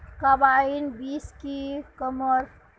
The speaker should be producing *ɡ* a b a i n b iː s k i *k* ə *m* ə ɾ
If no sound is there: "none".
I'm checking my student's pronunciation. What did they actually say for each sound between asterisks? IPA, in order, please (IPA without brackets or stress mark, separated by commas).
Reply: k, k, m